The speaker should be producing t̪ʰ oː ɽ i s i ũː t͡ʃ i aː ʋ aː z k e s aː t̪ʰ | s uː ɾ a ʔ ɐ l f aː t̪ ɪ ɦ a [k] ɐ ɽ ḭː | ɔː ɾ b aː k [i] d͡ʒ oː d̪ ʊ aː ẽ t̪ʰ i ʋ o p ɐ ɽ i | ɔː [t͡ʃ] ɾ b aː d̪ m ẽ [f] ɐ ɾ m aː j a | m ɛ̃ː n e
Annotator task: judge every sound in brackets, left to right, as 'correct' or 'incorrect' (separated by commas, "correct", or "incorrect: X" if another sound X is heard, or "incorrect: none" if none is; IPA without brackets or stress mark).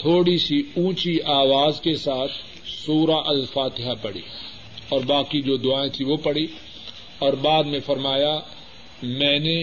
incorrect: p, correct, incorrect: none, correct